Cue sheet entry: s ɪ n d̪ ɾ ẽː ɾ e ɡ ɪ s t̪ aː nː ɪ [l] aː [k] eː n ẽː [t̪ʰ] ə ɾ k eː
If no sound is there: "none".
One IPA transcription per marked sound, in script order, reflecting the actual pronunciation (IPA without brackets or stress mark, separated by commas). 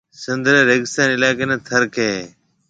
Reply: l, k, t̪ʰ